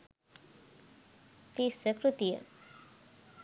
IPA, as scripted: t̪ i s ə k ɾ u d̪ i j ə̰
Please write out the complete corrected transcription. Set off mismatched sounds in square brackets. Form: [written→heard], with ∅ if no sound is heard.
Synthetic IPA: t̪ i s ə k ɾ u [d̪→t̪] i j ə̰